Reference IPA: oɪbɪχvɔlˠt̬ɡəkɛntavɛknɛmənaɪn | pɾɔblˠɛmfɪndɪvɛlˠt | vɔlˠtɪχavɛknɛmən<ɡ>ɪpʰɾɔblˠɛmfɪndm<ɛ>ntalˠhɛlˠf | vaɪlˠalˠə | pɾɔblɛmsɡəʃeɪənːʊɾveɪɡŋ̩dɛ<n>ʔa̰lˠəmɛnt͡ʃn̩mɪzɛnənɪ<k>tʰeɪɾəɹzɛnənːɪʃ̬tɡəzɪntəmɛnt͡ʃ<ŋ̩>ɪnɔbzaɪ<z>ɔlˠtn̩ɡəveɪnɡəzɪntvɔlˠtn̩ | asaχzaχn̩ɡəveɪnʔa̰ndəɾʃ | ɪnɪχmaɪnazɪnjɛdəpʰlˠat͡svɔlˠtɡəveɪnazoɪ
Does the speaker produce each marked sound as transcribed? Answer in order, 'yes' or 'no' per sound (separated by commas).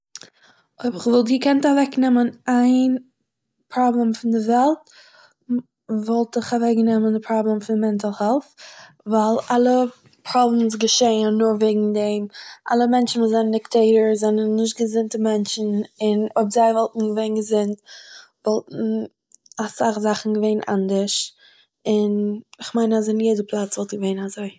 no, yes, no, yes, no, no